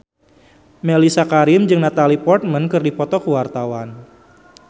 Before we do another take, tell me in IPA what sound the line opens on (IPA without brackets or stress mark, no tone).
m